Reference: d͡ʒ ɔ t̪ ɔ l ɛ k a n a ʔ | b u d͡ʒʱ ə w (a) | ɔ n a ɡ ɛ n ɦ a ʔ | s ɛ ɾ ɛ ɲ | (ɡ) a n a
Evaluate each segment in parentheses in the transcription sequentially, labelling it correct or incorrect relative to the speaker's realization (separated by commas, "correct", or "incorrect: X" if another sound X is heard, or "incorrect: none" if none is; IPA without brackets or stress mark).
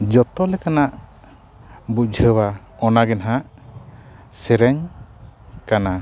correct, incorrect: k